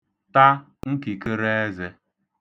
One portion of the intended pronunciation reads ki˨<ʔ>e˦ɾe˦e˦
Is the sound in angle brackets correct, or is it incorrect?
incorrect